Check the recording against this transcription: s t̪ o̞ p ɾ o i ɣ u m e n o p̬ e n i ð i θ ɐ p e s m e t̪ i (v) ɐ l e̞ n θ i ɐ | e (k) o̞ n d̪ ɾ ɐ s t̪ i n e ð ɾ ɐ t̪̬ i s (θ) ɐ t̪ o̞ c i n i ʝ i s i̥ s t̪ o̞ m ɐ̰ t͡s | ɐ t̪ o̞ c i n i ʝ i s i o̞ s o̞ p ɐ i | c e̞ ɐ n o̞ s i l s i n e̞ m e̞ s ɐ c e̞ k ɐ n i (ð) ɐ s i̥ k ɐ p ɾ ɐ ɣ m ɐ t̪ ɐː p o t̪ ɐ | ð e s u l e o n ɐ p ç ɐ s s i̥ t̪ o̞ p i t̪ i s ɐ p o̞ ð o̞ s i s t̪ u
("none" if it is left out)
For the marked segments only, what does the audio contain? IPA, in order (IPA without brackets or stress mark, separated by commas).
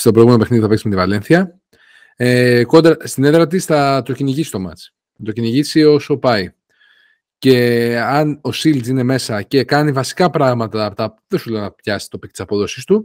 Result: v, k, θ, v